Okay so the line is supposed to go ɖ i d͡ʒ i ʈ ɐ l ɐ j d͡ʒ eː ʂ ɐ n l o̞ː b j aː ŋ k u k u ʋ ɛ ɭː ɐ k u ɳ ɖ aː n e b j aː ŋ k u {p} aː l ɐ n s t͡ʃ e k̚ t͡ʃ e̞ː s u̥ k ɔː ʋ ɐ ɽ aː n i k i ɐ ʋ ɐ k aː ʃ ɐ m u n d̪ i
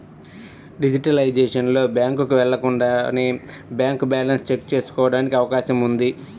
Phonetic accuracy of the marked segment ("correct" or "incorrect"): incorrect